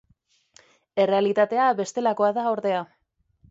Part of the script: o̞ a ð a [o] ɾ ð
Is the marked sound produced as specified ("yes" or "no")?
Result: yes